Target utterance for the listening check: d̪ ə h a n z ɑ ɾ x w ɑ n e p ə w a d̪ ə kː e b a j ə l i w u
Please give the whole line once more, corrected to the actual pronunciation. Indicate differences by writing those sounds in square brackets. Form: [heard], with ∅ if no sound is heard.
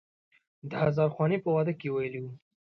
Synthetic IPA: d̪ ə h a [∅] z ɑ ɾ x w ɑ n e p ə w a d̪ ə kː e [w] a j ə l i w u

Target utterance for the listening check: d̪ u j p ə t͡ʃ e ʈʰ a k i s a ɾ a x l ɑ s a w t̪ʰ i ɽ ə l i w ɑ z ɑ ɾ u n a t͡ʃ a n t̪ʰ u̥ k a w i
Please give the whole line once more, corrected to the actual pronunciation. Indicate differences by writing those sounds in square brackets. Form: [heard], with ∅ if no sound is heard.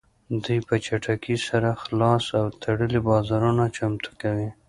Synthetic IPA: d̪ u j p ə t͡ʃ [a] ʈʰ a k i s a ɾ a x l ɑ s a w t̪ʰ [a] ɽ ə l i [b] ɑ z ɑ ɾ u n a t͡ʃ a [m] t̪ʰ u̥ k a w i

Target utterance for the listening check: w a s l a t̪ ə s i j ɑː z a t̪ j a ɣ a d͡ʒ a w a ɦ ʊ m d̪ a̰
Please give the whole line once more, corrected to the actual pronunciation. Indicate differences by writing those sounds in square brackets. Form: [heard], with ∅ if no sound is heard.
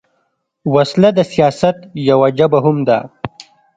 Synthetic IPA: w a s l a [d̪] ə s i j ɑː [s] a t̪ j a [w] a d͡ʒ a [b] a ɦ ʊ m d̪ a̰

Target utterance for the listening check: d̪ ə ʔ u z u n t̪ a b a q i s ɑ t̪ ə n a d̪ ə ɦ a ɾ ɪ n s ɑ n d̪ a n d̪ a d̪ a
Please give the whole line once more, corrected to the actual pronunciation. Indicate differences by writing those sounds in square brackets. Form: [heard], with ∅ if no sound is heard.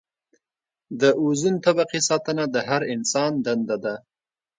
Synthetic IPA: d̪ ə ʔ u z u n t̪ a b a q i s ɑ t̪ ə n a d̪ ə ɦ a ɾ ɪ n s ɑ n d̪ a n d̪ a d̪ a

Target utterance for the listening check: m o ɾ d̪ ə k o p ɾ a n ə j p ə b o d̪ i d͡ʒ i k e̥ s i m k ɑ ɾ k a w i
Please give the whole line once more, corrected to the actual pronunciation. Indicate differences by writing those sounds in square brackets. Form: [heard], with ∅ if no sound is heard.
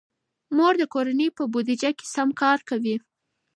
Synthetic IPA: m o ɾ d̪ ə k o [∅] ɾ a n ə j p ə b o d̪ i d͡ʒ [a] k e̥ s [a] m k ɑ ɾ k a w i

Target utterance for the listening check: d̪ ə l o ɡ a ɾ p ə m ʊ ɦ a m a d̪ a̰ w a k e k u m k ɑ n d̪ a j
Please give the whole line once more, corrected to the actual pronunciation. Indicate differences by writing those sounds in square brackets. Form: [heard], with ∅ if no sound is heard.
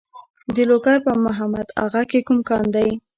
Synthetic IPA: d̪ ə l o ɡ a ɾ p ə m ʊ ɦ a m a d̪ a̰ [ɣ] a k e k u m k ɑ n d̪ a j

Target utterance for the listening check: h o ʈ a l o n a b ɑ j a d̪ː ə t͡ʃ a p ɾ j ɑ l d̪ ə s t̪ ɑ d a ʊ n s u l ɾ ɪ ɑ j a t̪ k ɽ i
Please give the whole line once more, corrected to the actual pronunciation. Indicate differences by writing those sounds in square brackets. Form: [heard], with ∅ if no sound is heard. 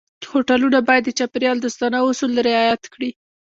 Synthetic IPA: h o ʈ a l [u] n a b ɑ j a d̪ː ə t͡ʃ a p ɾ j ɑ l d̪ ə s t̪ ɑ [n] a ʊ [∅] s u l ɾ ɪ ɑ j a t̪ k ɽ i

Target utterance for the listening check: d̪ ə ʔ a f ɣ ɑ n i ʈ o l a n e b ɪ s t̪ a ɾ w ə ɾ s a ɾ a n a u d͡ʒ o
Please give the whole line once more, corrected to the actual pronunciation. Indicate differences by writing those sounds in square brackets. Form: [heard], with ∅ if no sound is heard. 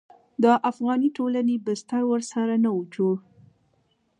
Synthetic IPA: d̪ ə ʔ a f ɣ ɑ n i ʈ o l a n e b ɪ s t̪ a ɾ w ə ɾ s a ɾ a n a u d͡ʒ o

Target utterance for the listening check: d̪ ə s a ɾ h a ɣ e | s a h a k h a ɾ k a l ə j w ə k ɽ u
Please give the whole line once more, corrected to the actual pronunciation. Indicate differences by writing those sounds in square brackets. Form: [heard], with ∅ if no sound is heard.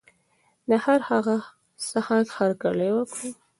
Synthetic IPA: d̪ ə [h] a ɾ h a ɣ [a] | s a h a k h a ɾ k a l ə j w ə k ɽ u

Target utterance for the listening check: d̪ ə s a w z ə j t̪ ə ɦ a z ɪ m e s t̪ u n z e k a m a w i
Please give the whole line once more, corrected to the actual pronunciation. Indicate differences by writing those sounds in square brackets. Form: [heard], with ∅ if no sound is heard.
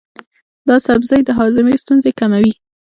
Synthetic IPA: d̪ [ɑ] s a [b] z [ɑ] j [d̪] ə ɦ [ɑ] z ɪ m e s t̪ u n z e k a m a w i

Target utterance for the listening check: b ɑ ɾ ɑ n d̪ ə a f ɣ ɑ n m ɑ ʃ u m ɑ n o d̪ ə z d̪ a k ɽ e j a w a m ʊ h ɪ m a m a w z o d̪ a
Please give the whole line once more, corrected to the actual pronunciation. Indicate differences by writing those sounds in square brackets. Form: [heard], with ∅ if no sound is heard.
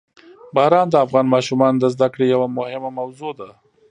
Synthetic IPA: b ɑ ɾ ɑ n d̪ ə a f ɣ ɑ n m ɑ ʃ u m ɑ n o d̪ ə z d̪ a k ɽ e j a w a m ʊ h ɪ m a m a w z o d̪ a

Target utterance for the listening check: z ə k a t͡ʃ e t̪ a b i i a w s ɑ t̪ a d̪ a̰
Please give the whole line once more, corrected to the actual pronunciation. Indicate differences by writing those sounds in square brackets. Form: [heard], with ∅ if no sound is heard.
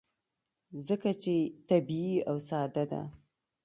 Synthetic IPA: z ə k a t͡ʃ e t̪ a b i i a w s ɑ [d̪] a d̪ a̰

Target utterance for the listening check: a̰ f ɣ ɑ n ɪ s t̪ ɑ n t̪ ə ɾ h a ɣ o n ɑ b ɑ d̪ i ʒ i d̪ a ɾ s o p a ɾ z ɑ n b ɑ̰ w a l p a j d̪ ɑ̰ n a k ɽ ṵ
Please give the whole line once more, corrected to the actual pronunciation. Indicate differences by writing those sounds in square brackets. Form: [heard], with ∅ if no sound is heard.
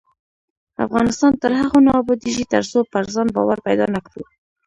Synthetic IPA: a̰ f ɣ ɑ n ɪ s t̪ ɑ n t̪ ə ɾ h a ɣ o n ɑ b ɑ d̪ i ʒ i [t̪] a ɾ s o p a ɾ z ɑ n b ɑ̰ w a [ɾ] p a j d̪ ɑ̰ n a k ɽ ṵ

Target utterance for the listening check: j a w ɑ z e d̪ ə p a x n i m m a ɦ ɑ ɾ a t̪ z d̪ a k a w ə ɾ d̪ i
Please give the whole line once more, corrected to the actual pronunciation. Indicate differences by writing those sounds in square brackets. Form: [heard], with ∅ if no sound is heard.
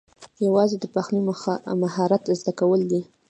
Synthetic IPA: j a w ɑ z e d̪ ə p a x n i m m a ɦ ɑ ɾ a t̪ z d̪ a k a w ə [l] d̪ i

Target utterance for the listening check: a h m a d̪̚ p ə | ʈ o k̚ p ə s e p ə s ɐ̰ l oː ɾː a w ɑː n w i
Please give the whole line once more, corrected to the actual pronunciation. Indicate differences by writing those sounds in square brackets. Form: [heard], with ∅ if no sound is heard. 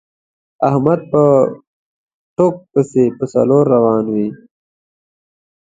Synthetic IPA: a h m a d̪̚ p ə | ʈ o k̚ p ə s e p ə s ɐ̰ l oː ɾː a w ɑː n w i

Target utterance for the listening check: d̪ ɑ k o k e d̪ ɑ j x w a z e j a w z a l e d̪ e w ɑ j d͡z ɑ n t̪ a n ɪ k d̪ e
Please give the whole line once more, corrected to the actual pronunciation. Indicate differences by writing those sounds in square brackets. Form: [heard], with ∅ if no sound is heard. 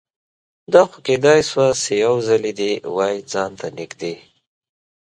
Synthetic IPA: d̪ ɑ [x] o k e d̪ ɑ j [s] w a [s] e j a w z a l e d̪ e w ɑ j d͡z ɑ n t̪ a n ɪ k d̪ e

